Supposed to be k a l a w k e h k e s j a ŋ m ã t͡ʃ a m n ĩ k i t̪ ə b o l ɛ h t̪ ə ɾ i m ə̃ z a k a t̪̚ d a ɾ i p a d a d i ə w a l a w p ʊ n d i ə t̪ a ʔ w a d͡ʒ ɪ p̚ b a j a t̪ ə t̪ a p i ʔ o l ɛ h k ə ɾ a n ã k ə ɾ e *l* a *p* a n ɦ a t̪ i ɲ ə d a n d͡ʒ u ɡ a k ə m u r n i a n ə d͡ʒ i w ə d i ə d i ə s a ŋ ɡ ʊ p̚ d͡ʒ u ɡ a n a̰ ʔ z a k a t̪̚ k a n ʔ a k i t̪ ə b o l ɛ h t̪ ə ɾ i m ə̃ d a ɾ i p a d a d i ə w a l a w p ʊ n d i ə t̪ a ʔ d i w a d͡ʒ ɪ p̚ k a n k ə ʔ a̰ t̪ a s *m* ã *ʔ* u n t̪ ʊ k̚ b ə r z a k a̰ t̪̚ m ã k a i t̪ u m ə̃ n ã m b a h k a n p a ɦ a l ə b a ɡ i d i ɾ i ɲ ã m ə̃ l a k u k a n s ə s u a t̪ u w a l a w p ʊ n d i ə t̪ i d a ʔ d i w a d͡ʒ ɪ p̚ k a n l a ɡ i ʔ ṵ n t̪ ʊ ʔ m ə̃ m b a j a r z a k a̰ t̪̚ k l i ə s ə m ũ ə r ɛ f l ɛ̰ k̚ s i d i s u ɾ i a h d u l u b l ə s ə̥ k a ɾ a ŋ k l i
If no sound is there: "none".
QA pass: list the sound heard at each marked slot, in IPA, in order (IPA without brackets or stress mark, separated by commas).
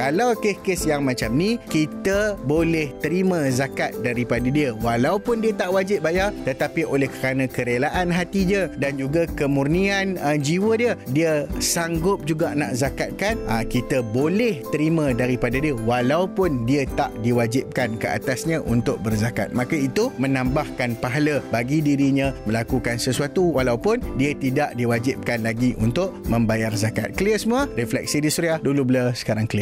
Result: l, ʔ, ɲ, ʔ